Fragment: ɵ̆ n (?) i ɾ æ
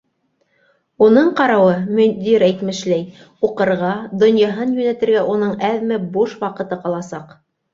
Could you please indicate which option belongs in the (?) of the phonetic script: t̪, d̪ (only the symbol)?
d̪